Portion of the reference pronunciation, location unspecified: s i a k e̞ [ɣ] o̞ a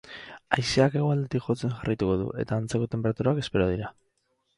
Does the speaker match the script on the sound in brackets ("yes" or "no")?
yes